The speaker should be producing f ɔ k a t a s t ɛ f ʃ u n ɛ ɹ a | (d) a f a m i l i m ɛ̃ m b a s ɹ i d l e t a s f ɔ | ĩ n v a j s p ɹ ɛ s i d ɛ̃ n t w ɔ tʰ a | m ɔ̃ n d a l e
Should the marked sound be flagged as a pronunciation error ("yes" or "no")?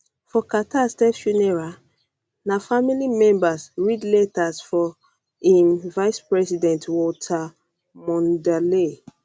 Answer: yes